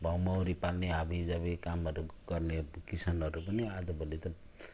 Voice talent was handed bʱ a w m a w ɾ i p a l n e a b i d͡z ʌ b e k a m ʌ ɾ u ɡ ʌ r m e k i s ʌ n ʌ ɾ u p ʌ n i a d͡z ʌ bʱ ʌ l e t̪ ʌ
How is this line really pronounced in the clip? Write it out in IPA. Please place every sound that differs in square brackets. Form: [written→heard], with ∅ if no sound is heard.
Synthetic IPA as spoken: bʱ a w m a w ɾ i p a l n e a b i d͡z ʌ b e k a m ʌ ɾ u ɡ ʌ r [m→n] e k i s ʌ n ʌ ɾ u p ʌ n i a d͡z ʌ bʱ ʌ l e t̪ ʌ